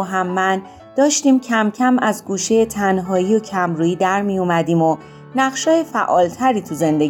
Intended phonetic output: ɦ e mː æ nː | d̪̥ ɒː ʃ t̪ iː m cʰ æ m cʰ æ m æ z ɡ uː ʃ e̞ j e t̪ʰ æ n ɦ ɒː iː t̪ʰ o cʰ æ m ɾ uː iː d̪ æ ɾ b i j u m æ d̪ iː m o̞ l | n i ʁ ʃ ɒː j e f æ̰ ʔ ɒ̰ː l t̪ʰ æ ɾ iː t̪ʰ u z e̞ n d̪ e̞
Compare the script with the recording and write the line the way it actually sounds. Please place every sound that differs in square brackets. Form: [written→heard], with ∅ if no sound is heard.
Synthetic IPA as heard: ɦ [e→æ] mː æ [nː→n] | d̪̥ ɒː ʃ t̪ iː m cʰ æ m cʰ æ m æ z ɡ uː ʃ e̞ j e t̪ʰ æ n ɦ ɒː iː [t̪ʰ→∅] o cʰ æ m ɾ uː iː d̪ æ ɾ [b→m] i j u m æ d̪ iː m o̞ [l→∅] | n [i→æ] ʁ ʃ ɒː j e f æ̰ ʔ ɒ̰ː l t̪ʰ æ ɾ iː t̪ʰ u z e̞ n d̪ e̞